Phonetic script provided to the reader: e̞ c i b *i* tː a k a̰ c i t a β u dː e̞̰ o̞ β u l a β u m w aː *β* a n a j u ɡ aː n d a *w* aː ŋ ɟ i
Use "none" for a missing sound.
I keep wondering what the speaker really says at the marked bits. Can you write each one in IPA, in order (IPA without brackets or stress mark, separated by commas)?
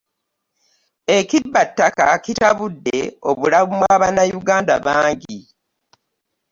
a, β, β